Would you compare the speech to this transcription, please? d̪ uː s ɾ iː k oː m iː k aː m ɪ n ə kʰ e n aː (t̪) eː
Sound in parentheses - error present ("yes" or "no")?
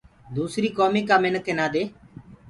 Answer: yes